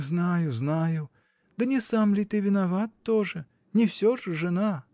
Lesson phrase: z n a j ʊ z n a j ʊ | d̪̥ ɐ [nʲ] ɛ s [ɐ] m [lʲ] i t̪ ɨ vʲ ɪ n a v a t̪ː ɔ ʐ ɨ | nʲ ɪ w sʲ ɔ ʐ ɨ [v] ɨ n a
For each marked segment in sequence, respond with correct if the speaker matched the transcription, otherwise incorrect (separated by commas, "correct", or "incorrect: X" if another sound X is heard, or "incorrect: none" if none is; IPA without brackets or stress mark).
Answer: correct, incorrect: a, correct, incorrect: ʐ